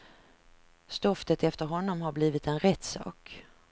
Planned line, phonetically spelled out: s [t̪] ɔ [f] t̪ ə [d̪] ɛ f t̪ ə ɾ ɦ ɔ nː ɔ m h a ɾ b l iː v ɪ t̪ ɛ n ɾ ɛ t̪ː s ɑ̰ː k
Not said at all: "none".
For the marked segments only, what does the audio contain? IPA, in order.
t̪, f, t̪

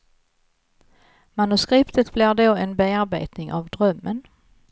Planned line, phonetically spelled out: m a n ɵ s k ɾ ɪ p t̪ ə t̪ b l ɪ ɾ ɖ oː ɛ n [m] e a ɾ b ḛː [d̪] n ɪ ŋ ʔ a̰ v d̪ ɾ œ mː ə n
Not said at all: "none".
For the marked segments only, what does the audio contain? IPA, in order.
b, t̪

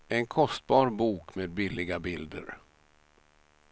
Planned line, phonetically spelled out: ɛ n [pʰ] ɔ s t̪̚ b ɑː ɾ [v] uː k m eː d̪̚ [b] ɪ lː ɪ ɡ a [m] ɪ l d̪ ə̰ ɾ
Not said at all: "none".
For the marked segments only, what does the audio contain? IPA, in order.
kʰ, b, b, b

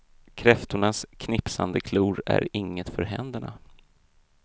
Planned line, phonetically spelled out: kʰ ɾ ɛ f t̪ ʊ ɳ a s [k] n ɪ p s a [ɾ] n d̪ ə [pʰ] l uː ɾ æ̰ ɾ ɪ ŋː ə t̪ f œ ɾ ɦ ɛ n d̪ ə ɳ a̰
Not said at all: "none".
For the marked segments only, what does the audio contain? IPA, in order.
kʰ, none, kʰ

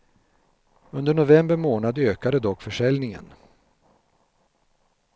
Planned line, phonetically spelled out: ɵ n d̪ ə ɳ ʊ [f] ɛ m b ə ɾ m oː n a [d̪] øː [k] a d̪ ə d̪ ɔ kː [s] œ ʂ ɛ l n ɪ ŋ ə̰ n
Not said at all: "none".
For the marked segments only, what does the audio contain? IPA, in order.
v, d̪, k, f

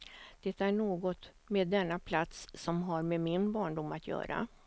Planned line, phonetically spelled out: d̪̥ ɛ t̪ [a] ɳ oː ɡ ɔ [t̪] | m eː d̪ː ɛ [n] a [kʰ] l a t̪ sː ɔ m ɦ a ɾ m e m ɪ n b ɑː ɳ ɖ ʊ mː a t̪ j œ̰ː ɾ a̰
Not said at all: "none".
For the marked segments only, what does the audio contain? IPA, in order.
æ, t̪, nː, pʰ

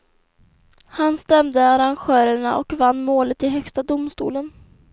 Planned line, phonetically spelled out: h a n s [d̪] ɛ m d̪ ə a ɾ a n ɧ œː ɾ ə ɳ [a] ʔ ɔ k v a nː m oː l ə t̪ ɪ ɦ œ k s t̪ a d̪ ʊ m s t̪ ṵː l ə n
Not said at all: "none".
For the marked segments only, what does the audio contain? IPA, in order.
t̪, a

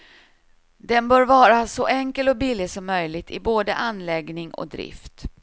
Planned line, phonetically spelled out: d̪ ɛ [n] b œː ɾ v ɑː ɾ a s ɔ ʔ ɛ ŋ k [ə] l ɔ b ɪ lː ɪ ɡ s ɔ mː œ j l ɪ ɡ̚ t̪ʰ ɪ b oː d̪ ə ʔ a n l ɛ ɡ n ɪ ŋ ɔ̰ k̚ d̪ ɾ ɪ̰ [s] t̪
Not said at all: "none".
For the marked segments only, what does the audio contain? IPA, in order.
n, ə, f

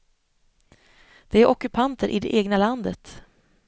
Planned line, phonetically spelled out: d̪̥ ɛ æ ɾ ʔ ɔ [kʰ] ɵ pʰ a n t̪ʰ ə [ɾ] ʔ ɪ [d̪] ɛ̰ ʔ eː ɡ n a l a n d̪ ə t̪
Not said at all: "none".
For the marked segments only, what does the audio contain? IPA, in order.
k, ɾ, d̪

